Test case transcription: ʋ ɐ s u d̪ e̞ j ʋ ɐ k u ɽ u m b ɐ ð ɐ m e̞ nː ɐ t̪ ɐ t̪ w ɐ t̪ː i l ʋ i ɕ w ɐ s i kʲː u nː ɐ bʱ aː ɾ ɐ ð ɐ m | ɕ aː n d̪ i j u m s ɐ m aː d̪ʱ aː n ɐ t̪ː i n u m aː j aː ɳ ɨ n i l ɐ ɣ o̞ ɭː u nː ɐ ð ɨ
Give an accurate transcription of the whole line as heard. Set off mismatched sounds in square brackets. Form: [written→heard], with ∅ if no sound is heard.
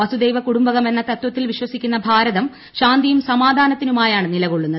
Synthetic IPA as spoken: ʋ ɐ s u d̪ e̞ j ʋ ɐ k u ɽ u m b ɐ [ð→ɣ] ɐ m e̞ nː ɐ t̪ ɐ t̪ w ɐ t̪ː i l ʋ i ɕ w ɐ s i kʲː u nː ɐ bʱ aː ɾ ɐ ð ɐ m | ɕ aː n d̪ i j u m s ɐ m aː d̪ʱ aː n ɐ t̪ː i n u m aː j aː ɳ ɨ n i l ɐ ɣ o̞ ɭː u nː ɐ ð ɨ